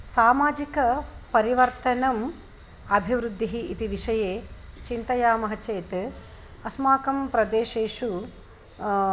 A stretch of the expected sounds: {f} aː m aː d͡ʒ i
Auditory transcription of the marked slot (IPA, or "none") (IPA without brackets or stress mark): s